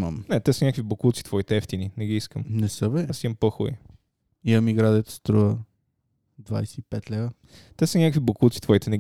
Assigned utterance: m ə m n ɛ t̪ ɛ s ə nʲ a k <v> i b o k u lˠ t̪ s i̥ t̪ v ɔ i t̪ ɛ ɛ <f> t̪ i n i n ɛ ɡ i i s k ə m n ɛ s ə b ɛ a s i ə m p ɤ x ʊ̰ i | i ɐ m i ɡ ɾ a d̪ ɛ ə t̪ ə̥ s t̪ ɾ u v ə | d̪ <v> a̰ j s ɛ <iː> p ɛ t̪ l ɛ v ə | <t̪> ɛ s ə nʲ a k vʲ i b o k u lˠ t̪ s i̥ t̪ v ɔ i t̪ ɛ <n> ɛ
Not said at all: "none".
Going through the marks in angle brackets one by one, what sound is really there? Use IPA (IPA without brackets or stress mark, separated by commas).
v, f, v, i, t̪, n